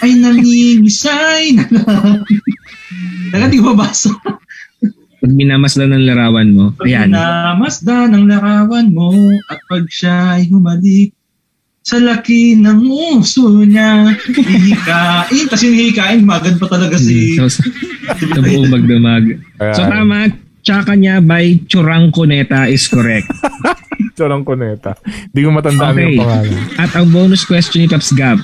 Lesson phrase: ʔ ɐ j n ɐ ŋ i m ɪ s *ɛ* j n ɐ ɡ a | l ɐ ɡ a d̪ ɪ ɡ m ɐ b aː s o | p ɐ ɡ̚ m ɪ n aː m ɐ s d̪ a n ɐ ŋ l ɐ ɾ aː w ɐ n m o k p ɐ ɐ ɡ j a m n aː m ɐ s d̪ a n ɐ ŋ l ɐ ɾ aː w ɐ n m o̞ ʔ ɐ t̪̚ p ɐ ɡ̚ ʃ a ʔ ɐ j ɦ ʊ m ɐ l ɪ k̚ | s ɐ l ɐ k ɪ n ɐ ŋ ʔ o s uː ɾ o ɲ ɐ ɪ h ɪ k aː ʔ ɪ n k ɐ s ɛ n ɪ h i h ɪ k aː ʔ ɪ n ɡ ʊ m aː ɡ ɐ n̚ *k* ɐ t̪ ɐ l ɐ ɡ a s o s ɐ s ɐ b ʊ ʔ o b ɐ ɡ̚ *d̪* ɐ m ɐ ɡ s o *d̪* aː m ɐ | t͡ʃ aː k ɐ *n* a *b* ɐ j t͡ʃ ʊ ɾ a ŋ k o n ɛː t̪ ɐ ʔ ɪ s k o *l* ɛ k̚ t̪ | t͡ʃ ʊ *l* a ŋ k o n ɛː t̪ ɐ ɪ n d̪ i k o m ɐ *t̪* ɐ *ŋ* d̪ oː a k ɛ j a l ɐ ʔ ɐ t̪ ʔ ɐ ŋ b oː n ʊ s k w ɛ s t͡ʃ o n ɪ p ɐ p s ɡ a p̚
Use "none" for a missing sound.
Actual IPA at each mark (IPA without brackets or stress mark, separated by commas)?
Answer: a, p, d̪, t̪, ɲ, b, ɾ, ɾ, t̪, n